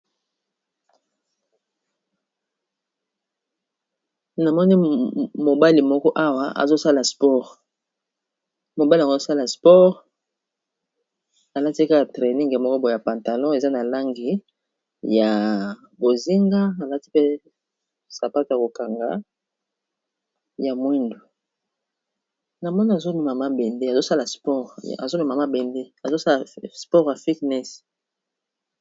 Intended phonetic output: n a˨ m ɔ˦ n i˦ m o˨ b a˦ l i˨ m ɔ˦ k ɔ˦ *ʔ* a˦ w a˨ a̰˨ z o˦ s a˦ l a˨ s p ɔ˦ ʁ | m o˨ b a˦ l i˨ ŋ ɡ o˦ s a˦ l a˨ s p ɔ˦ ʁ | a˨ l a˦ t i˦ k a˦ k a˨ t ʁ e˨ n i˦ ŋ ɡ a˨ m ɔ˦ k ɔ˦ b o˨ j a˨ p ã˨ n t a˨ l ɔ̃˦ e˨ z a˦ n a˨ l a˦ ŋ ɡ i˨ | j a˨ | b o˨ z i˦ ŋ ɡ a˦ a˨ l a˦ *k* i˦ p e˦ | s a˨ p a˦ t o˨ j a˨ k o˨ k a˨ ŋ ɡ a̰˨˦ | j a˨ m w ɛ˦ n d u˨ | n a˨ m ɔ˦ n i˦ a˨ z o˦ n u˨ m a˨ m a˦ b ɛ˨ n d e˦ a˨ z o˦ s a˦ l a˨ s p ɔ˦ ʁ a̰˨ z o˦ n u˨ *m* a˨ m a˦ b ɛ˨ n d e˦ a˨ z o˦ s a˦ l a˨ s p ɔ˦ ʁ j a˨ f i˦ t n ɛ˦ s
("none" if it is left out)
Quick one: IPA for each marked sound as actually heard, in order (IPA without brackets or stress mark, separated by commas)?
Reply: ʔ, t, m